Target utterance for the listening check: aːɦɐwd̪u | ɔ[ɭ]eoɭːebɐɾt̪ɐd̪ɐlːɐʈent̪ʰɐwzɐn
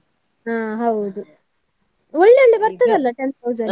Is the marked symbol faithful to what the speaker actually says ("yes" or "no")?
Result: no